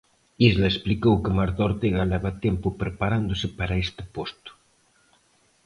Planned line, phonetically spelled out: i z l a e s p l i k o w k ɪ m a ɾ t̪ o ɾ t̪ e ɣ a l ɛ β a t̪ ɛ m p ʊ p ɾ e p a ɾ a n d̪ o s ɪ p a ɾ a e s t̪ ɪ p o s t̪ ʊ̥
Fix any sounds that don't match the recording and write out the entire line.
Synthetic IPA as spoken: i z l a e s p l i k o w k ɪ m a ɾ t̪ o ɾ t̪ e ɣ a l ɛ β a t̪ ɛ m p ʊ p ɾ e p a ɾ a n d̪ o s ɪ p a ɾ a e s t̪ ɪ p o s t̪ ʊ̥